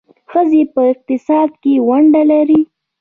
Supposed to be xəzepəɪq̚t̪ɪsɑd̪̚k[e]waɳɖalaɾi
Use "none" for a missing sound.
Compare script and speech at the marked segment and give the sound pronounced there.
e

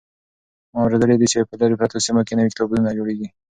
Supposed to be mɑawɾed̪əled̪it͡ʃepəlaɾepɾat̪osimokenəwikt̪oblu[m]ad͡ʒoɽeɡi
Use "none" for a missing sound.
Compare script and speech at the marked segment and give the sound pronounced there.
n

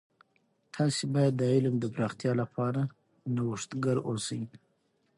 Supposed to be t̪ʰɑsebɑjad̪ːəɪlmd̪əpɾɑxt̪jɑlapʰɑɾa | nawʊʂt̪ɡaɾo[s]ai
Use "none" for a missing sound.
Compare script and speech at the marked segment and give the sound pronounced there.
s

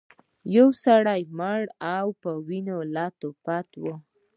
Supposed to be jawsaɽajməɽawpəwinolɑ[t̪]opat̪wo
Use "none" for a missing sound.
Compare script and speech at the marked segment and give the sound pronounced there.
t̪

